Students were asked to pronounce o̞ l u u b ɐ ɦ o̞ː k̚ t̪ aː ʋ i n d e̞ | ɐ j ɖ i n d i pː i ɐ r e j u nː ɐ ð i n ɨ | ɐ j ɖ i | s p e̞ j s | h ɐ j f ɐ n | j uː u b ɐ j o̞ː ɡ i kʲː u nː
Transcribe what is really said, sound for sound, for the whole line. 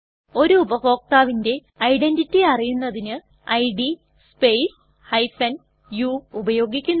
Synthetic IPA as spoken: o̞ ɾ u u b ɐ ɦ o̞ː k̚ t̪ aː ʋ i n d e̞ | ɐ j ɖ e n d i tː i ɐ r i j u nː ɐ ð i n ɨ | ɐ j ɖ i | s p e̞ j s | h ɐ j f ɐ n | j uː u b ɐ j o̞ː ɡ i kʲː u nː

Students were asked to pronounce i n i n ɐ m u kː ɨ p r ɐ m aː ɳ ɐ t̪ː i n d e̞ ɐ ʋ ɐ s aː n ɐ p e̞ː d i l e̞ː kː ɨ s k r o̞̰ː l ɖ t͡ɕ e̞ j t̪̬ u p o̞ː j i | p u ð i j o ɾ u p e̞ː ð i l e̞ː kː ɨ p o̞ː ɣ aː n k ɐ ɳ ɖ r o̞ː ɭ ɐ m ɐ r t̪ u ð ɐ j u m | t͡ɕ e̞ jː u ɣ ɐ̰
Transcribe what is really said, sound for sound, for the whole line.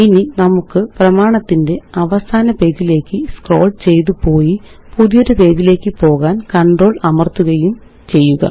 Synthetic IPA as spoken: i n i n ɐ m u kː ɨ p r ɐ m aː ɳ ɐ t̪ː i n d e̞ ɐ ʋ ɐ s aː n ɐ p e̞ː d i l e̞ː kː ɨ s k r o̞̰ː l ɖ t͡ɕ e̞ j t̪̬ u p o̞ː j i | p u ð i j o ɾ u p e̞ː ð i l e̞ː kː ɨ p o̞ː ɣ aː n k ɐ ɳ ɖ r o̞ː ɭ ɐ m ɐ r t̪ u ɣ ɐ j u m | t͡ɕ e̞ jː u ɣ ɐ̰

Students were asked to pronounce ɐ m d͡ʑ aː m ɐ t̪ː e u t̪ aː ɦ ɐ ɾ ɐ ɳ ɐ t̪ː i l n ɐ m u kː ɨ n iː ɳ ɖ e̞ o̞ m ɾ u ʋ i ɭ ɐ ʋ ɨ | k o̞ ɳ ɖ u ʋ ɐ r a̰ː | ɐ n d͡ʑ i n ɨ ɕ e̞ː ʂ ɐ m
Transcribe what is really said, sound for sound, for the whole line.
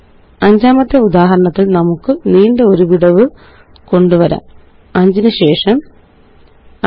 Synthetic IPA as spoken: ɐ ɲ d͡ʑ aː m ɐ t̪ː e u d̪ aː ɦ ɐ ɾ ɐ ɳ ɐ t̪ː i l n ɐ m u kː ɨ n iː ɳ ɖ e̞ o̞ ɾ u ʋ i ɽ ɐ ʋ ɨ | k o̞ ɳ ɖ u ʋ ɐ ɾ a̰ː | ɐ ɲ d͡ʑ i n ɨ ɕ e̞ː ʂ ɐ m

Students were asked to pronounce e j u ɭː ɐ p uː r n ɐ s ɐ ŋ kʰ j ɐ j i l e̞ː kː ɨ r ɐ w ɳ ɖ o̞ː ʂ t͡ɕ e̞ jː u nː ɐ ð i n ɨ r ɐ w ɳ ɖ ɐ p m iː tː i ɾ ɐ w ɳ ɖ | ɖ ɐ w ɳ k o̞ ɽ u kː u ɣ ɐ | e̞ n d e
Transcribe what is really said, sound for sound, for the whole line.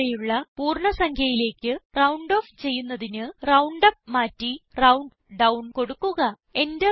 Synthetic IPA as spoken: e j u ɭː ɐ p uː r ɳ ɐ s ɐ ŋ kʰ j ɐ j i l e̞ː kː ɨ r ɐ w ɳ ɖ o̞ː f t͡ɕ e̞ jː u nː ɐ ð i n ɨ r ɐ w ɳ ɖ ɐ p m aː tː i r ɐ w ɳ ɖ | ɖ ɐ w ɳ k o̞ ɽ u kː u ɣ ɐ | e̞ n d e

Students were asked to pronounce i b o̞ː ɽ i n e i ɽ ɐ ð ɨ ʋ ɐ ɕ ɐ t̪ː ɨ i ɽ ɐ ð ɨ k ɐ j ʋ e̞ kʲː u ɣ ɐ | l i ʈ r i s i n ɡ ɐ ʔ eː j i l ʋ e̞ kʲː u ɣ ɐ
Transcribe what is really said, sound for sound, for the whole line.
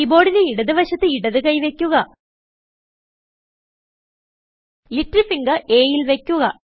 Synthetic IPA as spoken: i b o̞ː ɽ i n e i ɽ ɐ ð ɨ ʋ ɐ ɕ ɐ t̪ː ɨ i ɽ ɐ ð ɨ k ɐ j ʋ e̞ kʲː u ɣ ɐ | l i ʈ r i f i ŋ ɡ ɐ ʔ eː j i l ʋ e̞ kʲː u ɣ ɐ

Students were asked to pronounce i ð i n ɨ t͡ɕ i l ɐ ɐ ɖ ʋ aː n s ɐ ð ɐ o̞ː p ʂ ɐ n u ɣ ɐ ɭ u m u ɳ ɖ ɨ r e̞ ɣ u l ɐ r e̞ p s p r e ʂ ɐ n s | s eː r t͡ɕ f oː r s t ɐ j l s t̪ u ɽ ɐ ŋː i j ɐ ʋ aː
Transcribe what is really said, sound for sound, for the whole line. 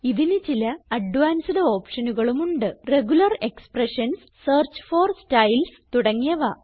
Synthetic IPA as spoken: i ð i n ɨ t͡ɕ i l ɐ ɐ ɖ ʋ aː n s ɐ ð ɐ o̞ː p ʂ ɐ n u ɣ ɐ ɭ u m u ɳ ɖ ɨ r e̞ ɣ u l ɐ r e̞ k s p r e ʂ ɐ n s | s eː r t͡ɕ f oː r s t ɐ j l s t̪ u ɽ ɐ ŋː i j ɐ ʋ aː

